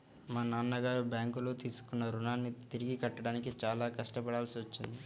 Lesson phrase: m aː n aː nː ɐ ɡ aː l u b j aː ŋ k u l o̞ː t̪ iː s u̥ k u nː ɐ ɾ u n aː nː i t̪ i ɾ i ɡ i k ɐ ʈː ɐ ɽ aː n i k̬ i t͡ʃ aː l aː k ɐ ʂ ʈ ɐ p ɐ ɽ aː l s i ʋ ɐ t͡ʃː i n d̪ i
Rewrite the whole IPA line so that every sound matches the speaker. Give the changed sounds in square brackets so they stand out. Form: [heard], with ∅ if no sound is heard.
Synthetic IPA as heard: m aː n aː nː ɐ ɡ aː [ɾ] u b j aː ŋ k u l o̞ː t̪ iː s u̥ k u nː ɐ ɾ u n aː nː i t̪ i ɾ i ɡ i k ɐ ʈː ɐ ɽ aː n i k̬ i t͡ʃ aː l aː k ɐ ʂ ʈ ɐ p ɐ ɽ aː l s i ʋ ɐ t͡ʃː i n d̪ i